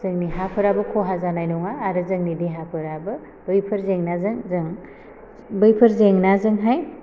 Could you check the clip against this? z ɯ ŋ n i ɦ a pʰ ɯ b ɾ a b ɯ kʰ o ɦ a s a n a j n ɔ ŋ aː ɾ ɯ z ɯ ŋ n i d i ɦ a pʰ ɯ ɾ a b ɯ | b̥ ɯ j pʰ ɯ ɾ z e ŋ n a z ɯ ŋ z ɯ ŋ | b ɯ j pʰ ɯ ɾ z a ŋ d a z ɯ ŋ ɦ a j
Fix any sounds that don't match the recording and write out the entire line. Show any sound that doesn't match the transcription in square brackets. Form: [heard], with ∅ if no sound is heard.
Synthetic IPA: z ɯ ŋ n i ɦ a pʰ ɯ [∅] ɾ a b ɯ kʰ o ɦ a [z] a n a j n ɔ ŋ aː ɾ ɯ z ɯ ŋ n i d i ɦ a pʰ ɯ ɾ a b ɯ | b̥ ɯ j pʰ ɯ ɾ z e ŋ n a z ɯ ŋ z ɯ ŋ | b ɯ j pʰ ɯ ɾ z [e] ŋ [n] a z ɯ ŋ ɦ a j